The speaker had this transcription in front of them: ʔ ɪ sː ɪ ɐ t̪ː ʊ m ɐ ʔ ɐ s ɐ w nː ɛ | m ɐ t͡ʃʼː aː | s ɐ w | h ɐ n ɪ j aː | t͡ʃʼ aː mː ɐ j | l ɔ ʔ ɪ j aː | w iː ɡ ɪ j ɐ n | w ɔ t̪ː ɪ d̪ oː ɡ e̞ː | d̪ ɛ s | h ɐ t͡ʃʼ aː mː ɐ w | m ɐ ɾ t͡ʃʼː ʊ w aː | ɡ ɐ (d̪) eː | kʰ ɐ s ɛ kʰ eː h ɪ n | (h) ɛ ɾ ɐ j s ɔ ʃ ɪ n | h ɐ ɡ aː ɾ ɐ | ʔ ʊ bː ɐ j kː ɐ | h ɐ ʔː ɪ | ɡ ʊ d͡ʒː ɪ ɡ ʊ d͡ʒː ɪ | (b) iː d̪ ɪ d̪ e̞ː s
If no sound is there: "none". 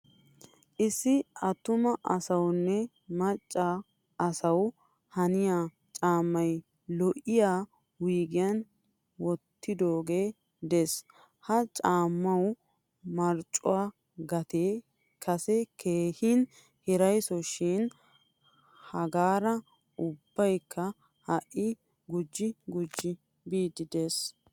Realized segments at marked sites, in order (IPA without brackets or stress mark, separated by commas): t̪, h, b